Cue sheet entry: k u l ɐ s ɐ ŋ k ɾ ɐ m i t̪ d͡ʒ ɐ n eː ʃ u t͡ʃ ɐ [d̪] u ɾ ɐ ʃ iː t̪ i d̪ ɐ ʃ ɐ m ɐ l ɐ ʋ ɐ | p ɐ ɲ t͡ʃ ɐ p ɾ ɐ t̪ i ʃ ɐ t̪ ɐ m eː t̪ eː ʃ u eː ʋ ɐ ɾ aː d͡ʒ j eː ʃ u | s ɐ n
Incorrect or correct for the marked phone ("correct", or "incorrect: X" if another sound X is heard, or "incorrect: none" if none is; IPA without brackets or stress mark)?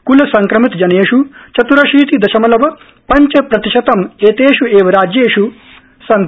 incorrect: t̪